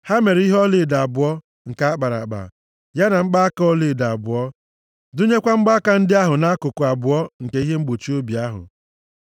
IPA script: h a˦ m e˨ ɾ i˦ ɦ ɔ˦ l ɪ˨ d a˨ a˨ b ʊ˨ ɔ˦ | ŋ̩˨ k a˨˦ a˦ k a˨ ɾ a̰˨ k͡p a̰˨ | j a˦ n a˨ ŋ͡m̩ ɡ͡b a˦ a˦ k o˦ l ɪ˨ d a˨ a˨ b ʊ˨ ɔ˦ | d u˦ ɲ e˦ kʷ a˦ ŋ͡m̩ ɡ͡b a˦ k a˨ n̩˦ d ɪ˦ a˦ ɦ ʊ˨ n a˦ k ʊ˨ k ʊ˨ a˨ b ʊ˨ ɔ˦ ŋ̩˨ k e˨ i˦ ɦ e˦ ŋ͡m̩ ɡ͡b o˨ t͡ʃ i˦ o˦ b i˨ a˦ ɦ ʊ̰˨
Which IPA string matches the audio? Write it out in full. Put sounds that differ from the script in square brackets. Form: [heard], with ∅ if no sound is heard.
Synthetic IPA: h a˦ m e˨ ɾ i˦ ɦ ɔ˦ l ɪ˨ d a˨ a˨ b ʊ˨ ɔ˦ | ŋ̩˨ k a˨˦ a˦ [k͡p] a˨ ɾ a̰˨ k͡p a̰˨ | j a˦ n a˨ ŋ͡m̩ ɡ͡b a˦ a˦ k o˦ l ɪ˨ d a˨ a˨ b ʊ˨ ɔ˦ | d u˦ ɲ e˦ kʷ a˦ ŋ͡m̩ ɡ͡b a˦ k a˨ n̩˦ d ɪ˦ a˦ ɦ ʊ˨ n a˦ k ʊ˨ k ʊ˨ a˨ b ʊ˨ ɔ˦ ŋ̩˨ k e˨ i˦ ɦ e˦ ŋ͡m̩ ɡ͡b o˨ t͡ʃ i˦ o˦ b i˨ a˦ ɦ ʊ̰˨

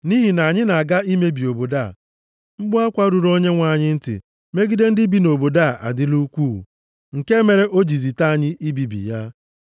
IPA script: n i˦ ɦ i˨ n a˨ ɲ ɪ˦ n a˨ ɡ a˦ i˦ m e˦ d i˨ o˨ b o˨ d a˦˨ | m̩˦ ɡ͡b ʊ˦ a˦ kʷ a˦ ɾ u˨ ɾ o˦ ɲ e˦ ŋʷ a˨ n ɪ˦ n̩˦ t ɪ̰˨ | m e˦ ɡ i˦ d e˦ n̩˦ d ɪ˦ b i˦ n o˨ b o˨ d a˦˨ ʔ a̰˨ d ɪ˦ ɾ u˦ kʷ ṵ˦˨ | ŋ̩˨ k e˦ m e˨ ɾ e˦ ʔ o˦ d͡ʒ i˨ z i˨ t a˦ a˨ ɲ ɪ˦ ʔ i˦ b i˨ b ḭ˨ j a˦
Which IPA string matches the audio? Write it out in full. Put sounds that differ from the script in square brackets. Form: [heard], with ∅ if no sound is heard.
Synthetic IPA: n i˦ ɦ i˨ n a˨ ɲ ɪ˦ n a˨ ɡ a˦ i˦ m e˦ [b] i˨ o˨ b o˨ d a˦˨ | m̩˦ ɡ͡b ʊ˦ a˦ kʷ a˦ ɾ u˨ ɾ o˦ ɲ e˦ ŋʷ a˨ [ɲ] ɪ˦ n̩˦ t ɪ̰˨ | m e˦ ɡ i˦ d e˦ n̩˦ d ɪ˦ b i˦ n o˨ b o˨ d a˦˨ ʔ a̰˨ d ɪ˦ [l] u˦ kʷ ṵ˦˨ | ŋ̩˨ k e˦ m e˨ ɾ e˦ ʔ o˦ d͡ʒ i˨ z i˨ t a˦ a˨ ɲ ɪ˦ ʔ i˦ b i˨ b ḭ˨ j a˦

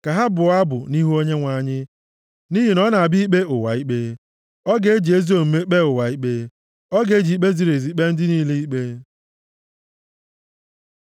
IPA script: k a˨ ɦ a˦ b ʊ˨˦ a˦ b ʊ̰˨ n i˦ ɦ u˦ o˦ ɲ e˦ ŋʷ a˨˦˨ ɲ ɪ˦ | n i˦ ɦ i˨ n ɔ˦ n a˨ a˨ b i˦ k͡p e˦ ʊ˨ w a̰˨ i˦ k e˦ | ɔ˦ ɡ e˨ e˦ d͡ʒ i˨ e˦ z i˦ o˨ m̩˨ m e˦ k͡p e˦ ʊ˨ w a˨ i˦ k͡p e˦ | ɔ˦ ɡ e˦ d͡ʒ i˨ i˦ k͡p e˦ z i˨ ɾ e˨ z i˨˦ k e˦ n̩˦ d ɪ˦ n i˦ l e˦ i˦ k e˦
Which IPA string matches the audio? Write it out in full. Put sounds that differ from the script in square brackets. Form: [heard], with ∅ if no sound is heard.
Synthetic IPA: k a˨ ɦ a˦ b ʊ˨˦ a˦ b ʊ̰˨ n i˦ ɦ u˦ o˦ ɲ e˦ ŋʷ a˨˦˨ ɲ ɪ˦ | n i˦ ɦ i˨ n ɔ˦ n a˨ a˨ b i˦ k͡p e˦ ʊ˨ w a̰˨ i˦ [k͡p] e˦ | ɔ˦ ɡ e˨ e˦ d͡ʒ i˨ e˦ z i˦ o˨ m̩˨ m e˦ k͡p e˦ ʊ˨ w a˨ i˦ k͡p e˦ | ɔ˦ ɡ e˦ d͡ʒ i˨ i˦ k͡p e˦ z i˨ ɾ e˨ z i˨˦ [k͡p] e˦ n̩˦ d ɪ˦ n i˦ l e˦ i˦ [k͡p] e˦

